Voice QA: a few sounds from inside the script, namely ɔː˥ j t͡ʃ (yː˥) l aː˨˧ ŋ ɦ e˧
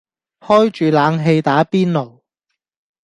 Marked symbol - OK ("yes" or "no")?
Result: no